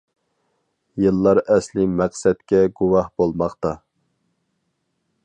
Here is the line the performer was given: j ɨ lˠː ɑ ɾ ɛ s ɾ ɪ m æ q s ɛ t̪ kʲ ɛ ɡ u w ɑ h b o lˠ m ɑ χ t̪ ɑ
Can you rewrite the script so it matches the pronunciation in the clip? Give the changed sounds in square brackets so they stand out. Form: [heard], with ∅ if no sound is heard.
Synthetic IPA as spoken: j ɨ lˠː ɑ ɾ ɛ s [l] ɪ m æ q s ɛ t̪ kʲ ɛ ɡ u w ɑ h b o lˠ m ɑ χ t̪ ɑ

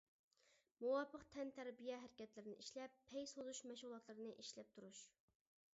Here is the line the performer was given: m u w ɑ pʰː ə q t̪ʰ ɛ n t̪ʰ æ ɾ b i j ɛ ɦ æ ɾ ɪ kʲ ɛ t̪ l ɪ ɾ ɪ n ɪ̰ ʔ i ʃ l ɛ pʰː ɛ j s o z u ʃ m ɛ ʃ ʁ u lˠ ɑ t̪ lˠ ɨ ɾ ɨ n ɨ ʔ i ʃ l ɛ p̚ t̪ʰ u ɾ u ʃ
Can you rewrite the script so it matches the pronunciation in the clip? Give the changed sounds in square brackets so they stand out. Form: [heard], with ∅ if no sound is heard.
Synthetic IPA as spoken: m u w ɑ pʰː ə q t̪ʰ ɛ n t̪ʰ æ ɾ b i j ɛ ɦ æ ɾ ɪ kʲ ɛ t̪ l ɪ ɾ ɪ n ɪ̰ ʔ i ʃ l ɛ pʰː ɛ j s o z u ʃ m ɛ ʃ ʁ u lˠ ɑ t̪ lˠ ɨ ɾ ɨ n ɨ ʔ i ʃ l ɛ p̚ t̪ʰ u ɾ u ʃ

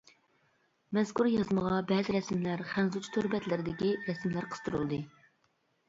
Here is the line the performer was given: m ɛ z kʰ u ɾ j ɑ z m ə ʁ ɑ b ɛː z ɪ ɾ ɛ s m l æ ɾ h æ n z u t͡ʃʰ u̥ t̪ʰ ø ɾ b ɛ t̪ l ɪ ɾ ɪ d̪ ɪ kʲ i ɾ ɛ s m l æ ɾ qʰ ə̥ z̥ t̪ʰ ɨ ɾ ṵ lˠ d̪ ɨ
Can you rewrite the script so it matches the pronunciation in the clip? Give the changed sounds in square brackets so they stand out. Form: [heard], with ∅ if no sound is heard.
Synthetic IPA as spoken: m ɛ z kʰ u ɾ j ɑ z m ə ʁ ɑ b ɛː z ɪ ɾ ɛ s m l æ ɾ [χ] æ n z u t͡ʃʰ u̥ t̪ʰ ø ɾ b ɛ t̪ l ɪ ɾ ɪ d̪ ɪ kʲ i ɾ ɛ s m l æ ɾ qʰ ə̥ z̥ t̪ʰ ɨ ɾ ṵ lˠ d̪ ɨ

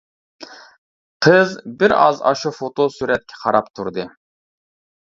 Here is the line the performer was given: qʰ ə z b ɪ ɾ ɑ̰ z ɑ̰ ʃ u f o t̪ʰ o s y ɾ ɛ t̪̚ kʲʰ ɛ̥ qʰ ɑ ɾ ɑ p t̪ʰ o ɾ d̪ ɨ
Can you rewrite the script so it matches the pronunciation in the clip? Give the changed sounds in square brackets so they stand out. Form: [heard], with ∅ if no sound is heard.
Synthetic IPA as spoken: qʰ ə z b ɪ ɾ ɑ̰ z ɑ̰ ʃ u f o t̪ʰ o s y ɾ ɛ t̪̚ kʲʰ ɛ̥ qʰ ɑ ɾ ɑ p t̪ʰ [u] ɾ d̪ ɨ

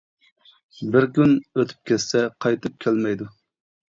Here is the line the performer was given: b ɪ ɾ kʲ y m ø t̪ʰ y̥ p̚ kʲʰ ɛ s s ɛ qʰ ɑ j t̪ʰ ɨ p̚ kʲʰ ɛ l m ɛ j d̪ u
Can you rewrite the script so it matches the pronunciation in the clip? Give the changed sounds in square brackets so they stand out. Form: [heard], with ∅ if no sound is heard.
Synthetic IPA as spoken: b ɪ ɾ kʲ y [n] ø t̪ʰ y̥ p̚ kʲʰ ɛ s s ɛ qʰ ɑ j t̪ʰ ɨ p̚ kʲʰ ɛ l m ɛ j d̪ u

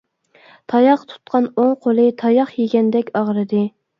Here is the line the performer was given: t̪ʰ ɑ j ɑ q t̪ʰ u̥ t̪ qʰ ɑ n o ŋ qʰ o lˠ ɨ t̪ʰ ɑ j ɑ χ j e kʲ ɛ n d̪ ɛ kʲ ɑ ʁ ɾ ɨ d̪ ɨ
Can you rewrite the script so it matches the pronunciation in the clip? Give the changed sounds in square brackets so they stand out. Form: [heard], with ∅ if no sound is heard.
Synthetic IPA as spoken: t̪ʰ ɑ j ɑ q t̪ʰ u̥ t̪ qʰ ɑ n o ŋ qʰ o lˠ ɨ t̪ʰ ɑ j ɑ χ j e [ɡʲ] ɛ n d̪ ɛ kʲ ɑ ʁ ɾ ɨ d̪ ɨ

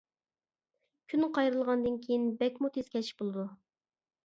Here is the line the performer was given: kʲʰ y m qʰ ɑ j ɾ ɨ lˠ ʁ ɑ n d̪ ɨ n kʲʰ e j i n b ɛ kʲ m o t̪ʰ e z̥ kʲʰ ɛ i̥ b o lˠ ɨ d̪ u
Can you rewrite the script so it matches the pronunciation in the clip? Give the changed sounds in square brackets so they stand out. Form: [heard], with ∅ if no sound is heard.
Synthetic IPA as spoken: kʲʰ y [n] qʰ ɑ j ɾ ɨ lˠ ʁ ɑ n d̪ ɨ n kʲʰ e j i n b ɛ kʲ m [u] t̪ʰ e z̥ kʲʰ ɛ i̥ b o lˠ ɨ d̪ u

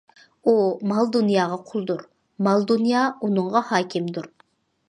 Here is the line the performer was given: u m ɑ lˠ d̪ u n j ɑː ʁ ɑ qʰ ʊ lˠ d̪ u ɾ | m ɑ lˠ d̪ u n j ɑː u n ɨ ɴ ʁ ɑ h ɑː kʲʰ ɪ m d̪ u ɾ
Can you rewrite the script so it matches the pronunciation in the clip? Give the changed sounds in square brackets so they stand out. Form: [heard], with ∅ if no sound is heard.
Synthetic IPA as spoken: u m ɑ lˠ d̪ u n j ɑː ʁ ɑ qʰ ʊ lˠ d̪ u ɾ | m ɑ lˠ d̪ u n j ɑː u n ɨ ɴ ʁ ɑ h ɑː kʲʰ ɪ m d̪ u ɾ

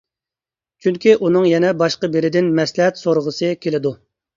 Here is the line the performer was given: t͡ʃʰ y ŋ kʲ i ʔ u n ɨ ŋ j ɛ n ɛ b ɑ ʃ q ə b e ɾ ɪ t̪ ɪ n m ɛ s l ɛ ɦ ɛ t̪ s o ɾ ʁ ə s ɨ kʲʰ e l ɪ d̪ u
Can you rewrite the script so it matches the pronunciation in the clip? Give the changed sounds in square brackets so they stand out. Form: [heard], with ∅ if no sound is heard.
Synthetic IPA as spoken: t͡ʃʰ y ŋ kʲ i ʔ u n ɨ ŋ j ɛ n ɛ b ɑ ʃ q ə b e ɾ ɪ [d̪] ɪ n m ɛ s l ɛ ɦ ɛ t̪ s o ɾ ʁ ə s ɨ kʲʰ e l ɪ d̪ u

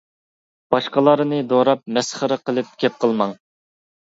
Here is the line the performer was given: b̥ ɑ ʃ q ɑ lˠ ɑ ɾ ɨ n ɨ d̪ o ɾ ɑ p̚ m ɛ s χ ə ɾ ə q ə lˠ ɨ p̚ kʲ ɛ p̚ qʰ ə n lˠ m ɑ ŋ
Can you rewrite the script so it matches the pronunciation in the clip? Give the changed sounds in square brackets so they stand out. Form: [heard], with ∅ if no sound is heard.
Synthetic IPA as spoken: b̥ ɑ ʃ q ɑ lˠ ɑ ɾ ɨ n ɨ d̪ o ɾ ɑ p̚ m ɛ s χ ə ɾ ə q ə lˠ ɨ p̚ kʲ ɛ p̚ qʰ ə [∅] lˠ m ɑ ŋ

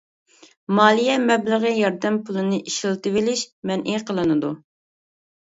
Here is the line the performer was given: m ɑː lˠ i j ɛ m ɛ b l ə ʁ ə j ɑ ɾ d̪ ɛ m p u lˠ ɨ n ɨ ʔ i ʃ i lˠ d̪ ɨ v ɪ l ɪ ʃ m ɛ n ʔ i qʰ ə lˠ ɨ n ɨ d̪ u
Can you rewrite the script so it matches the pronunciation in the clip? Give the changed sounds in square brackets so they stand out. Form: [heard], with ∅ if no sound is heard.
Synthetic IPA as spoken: m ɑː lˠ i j ɛ m ɛ b l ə ʁ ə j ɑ ɾ d̪ ɛ m p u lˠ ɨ n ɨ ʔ i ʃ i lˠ [t̪] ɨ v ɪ l ɪ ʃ m ɛ n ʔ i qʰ ə lˠ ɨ n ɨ d̪ u

